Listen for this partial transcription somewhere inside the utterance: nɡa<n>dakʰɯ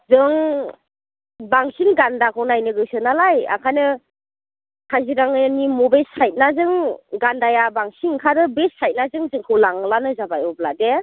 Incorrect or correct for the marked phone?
correct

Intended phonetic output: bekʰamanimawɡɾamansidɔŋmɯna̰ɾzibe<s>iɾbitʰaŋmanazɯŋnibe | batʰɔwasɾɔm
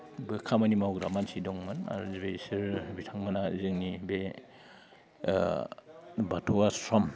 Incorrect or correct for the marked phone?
correct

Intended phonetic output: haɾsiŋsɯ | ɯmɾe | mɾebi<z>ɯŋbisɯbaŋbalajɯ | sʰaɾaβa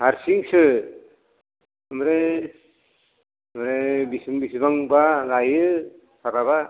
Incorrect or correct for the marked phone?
incorrect: s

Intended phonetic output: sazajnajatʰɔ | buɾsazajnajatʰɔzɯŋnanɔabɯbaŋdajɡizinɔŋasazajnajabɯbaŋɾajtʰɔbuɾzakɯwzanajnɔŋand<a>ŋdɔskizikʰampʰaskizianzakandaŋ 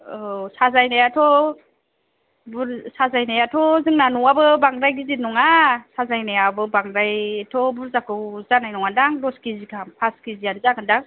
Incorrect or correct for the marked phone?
correct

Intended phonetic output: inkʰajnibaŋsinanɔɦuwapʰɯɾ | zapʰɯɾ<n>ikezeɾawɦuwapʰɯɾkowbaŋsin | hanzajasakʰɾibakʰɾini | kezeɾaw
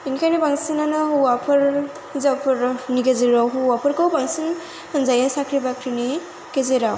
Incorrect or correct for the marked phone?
correct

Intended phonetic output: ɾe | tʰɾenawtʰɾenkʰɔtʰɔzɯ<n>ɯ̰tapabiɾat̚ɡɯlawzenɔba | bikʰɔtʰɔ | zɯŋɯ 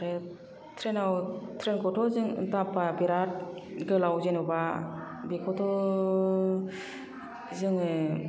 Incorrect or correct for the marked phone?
incorrect: ŋ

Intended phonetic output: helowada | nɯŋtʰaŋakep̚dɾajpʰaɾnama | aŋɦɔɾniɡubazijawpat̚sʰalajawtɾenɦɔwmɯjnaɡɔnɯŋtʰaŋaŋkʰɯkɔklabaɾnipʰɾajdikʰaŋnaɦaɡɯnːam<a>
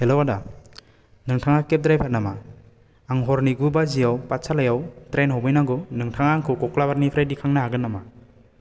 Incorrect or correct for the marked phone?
correct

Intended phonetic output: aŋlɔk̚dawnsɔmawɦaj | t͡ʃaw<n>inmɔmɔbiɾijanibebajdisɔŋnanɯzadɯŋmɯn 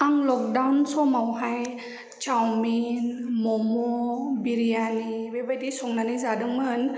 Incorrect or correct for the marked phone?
incorrect: m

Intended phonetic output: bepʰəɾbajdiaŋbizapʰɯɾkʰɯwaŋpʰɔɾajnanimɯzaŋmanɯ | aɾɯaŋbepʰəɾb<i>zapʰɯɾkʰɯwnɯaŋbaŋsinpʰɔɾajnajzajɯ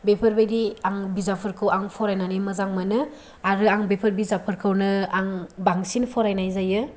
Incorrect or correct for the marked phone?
correct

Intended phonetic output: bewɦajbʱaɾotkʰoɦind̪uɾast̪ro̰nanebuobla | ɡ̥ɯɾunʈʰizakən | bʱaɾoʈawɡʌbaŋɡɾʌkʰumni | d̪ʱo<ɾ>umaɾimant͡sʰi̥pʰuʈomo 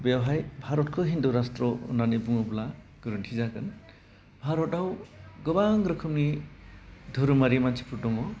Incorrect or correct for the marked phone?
correct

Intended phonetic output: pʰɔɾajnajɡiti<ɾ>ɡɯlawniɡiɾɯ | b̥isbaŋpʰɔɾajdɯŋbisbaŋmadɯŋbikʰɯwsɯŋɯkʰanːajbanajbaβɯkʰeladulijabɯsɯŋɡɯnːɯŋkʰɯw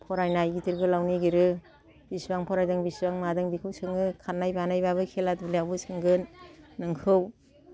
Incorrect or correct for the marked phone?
correct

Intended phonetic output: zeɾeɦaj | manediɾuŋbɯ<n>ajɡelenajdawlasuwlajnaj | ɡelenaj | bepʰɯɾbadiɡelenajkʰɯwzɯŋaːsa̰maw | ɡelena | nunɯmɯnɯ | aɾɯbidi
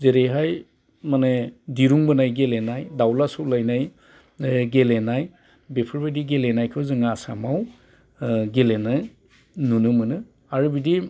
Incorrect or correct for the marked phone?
correct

